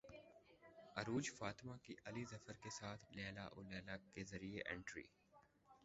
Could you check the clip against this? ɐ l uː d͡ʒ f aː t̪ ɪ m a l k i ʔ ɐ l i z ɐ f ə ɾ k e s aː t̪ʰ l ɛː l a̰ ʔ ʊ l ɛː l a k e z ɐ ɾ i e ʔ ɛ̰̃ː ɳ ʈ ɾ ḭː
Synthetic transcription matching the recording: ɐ ɾ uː d͡ʒ f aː t̪ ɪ m a k i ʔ ɐ l i z ɐ f ə ɾ k e s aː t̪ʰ l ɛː l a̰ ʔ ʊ l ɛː l a k e z ɐ ɾ i e ʔ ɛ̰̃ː ɳ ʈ ɾ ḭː